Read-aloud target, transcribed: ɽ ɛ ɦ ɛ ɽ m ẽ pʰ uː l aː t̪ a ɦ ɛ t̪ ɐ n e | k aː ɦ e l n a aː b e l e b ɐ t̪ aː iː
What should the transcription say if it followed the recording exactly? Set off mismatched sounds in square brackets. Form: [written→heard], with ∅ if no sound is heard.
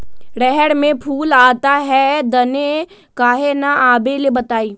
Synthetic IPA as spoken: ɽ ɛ ɦ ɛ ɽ m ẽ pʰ uː l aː t̪ a ɦ ɛ [t̪→d̪] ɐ n e | k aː ɦ e [l→∅] n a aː b e l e b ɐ t̪ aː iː